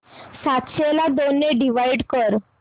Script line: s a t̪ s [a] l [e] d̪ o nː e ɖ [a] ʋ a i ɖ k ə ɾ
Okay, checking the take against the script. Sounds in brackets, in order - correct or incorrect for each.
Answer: incorrect: e, incorrect: a, incorrect: i

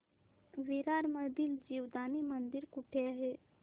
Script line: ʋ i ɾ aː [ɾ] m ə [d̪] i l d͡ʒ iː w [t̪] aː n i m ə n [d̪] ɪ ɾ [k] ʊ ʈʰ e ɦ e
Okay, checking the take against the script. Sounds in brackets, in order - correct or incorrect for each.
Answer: correct, correct, incorrect: d̪, correct, correct

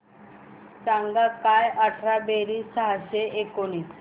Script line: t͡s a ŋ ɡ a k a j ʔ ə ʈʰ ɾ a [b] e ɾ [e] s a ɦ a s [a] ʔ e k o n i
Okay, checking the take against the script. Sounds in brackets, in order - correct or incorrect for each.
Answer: correct, incorrect: i, incorrect: e

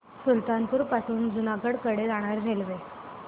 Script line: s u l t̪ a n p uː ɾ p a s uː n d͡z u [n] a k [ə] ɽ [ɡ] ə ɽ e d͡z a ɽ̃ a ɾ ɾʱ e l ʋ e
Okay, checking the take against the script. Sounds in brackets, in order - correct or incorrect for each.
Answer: correct, correct, incorrect: k

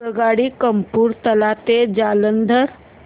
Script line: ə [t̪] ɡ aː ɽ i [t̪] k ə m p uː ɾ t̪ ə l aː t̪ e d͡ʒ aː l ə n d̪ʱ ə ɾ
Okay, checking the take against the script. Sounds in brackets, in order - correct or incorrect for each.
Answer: incorrect: none, incorrect: none

